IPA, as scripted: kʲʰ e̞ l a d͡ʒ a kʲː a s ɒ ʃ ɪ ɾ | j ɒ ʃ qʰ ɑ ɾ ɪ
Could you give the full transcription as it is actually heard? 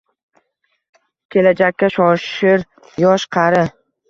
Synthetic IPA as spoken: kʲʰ e̞ l a d͡ʒ a kʲː a ʃ ɒ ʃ ɪ ɾ | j ɒ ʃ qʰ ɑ ɾ ɪ